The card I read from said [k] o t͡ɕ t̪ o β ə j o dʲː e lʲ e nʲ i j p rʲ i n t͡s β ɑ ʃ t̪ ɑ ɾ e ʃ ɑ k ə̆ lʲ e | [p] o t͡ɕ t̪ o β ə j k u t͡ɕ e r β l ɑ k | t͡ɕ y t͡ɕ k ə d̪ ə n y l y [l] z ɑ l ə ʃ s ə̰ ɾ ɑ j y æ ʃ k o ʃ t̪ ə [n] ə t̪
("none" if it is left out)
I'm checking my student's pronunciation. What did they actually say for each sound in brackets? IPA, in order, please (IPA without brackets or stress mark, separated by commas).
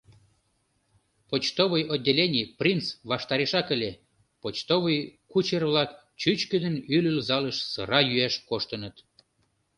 p, p, l, n